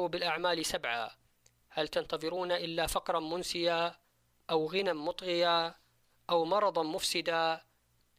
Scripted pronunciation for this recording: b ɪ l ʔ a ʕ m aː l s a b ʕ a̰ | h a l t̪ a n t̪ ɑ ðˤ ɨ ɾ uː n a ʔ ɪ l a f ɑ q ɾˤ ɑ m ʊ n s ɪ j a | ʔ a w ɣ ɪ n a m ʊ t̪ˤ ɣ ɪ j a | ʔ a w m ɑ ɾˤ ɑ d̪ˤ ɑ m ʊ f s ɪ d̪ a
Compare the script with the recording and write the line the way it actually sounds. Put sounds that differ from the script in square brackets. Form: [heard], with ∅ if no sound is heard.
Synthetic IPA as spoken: b ɪ l ʔ a ʕ m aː l s a b ʕ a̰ | h a l t̪ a n t̪ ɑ ðˤ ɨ ɾ uː n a ʔ ɪ [lː] a f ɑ q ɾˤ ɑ m ʊ n s ɪ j a | ʔ a w ɣ ɪ n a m ʊ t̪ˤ ɣ ɪ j a | ʔ a w m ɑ ɾˤ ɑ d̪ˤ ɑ m ʊ f s ɪ d̪ a